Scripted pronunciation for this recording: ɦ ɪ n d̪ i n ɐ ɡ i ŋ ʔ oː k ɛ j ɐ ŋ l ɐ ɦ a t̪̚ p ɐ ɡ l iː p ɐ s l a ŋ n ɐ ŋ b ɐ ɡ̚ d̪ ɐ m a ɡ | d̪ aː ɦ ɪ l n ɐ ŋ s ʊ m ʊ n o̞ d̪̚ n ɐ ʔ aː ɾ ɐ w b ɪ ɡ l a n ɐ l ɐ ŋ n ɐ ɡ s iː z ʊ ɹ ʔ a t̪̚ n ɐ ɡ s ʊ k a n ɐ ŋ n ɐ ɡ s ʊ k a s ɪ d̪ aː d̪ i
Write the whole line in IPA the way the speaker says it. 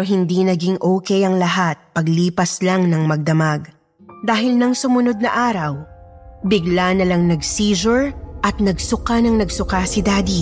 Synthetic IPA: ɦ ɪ n d̪ i n ɐ ɡ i ŋ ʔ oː k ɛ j ɐ ŋ l ɐ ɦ a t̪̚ p ɐ ɡ l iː p ɐ s l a ŋ n ɐ ŋ m ɐ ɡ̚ d̪ ɐ m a ɡ | d̪ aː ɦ ɪ l n ɐ ŋ s ʊ m ʊ n o̞ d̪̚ n ɐ ʔ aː ɾ ɐ w b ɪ ɡ l a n ɐ l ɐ ŋ n ɐ ɡ s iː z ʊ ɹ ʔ ɐ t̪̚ n ɐ ɡ s ʊ k a n ɐ ŋ n ɐ ɡ s ʊ k a s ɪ d̪ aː d̪ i